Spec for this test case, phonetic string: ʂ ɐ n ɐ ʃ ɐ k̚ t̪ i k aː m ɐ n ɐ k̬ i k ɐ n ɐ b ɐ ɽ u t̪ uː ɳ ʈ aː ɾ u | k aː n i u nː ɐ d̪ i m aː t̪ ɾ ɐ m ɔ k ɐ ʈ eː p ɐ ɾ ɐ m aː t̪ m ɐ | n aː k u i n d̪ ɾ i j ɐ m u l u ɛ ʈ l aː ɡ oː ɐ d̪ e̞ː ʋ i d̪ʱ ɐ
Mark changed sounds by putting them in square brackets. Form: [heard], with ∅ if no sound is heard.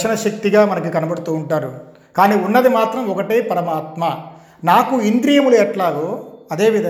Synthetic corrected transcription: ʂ ɐ n ɐ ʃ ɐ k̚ t̪ i [ɡ] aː m ɐ n ɐ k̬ i k ɐ n ɐ b ɐ ɽ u t̪ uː ɳ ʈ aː ɾ u | k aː n [iː] u nː ɐ d̪ i m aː t̪ ɾ ɐ m ɔ k ɐ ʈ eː p ɐ ɾ ɐ m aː t̪ m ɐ | n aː k u i n d̪ ɾ i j ɐ m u l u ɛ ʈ l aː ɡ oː ɐ d̪ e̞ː ʋ i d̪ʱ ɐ